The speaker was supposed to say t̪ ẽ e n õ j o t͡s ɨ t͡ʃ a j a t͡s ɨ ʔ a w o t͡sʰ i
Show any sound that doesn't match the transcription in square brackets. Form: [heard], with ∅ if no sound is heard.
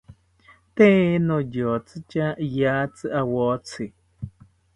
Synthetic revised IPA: t̪ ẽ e n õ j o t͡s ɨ t͡ʃ a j a t͡s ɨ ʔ a w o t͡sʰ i